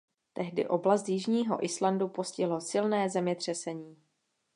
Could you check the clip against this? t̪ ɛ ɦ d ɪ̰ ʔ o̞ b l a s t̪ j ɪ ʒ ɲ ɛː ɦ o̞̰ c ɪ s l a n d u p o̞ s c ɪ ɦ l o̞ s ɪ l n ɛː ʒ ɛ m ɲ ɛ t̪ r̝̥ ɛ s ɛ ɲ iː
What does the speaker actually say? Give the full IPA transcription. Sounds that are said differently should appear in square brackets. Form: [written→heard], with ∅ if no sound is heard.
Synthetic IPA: t̪ ɛ ɦ d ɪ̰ ʔ o̞ b l a s t̪ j ɪ ʒ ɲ [ɛː→iː] ɦ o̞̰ [c→ʔ] ɪ s l a n d u p o̞ s c ɪ ɦ l o̞ s ɪ l n ɛː [ʒ→z] ɛ m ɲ ɛ t̪ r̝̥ ɛ s ɛ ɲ iː